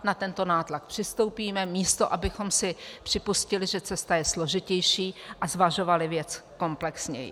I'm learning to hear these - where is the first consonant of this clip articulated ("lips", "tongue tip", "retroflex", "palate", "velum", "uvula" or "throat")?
tongue tip